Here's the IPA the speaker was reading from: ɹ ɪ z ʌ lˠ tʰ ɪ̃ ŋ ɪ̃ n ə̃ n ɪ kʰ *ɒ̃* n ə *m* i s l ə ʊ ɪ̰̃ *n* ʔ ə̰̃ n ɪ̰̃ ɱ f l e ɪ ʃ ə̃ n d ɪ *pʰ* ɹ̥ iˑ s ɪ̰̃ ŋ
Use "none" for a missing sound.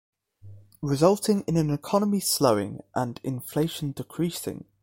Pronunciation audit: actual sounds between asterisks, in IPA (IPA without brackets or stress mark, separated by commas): ɒ, m, ŋ, kʰ